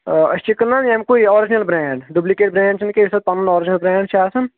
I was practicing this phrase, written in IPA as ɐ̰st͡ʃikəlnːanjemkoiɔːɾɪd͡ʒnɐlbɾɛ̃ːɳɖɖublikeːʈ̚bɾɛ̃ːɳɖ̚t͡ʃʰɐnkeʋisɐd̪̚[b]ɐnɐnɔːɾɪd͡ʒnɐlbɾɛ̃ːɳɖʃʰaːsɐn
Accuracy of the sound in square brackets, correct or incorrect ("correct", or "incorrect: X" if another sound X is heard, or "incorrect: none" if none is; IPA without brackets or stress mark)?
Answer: incorrect: p